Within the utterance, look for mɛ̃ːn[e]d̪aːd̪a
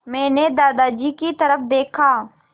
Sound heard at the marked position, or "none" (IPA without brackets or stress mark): e